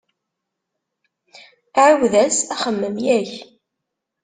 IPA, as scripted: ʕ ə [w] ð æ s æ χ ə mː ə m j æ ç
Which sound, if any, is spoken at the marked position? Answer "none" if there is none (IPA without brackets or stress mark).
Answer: w